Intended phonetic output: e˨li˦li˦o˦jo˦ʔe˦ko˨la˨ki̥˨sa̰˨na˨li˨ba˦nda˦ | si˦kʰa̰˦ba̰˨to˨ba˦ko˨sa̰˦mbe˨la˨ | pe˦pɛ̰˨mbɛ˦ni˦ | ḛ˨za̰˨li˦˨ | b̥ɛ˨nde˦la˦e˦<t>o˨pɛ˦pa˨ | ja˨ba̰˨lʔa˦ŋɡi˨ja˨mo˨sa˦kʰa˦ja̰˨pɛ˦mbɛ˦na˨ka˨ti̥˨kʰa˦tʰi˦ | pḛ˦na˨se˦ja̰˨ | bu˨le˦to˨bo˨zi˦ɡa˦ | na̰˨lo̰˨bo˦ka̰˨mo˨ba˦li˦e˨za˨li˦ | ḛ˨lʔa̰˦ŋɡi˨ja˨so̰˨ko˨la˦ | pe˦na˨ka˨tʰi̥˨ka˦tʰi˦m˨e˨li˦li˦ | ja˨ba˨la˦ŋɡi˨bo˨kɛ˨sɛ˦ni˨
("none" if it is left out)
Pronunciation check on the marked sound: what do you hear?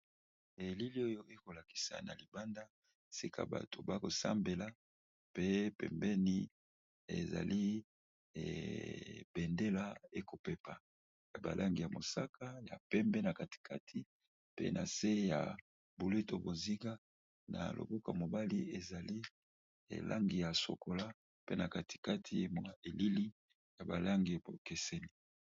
k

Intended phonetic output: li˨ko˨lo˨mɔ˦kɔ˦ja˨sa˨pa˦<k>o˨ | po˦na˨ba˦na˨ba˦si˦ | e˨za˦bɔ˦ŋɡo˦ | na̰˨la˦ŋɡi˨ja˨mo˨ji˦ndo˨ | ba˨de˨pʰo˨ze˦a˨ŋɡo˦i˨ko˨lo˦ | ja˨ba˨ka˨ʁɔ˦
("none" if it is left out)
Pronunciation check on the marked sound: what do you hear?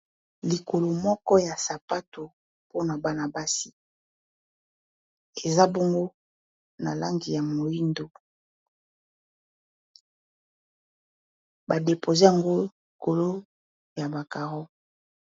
t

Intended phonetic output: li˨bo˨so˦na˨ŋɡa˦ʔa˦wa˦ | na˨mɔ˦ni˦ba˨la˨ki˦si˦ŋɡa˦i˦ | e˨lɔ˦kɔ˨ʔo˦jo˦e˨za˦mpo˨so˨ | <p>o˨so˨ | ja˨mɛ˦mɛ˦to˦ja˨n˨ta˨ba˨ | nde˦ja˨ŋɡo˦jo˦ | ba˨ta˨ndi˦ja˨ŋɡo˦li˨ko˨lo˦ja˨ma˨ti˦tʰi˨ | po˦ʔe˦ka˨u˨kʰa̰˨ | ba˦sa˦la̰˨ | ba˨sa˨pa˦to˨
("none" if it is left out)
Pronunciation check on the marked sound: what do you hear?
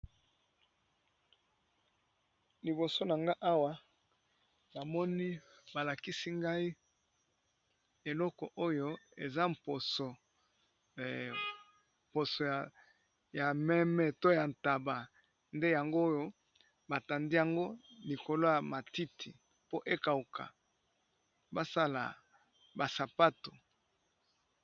p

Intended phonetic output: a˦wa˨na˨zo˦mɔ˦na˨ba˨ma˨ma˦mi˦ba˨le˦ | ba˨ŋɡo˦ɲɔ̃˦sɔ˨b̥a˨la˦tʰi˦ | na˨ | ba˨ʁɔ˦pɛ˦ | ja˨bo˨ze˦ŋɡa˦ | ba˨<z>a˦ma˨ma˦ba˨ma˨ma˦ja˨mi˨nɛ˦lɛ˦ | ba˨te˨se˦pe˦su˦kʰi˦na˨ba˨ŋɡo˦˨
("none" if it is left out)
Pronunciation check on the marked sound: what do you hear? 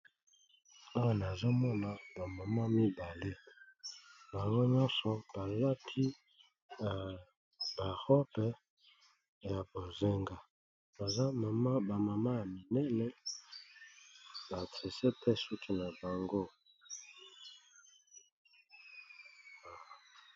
z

